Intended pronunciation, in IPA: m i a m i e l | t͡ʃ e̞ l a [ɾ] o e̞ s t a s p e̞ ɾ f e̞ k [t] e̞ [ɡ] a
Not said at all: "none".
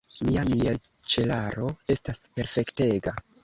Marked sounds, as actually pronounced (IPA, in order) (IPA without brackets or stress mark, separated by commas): ɾ, t, ɡ